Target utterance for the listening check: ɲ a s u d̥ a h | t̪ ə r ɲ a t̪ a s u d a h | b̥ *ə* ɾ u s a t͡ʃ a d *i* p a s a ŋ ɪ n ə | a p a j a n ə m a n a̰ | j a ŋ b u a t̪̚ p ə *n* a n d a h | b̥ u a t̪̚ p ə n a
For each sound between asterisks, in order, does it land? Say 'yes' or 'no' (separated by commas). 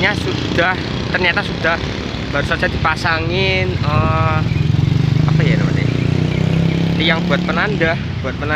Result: no, yes, yes